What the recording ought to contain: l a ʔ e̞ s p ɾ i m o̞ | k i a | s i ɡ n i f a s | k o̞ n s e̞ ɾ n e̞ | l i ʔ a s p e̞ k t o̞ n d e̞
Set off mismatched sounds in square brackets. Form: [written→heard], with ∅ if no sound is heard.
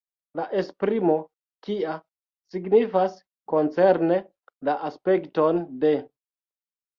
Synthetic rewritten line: l a ʔ e̞ s p ɾ i m o̞ | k i a | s i ɡ n i f a s | k o̞ n [s→t͡s] e̞ ɾ n e̞ | l [i→a] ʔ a s p e̞ k t o̞ n d e̞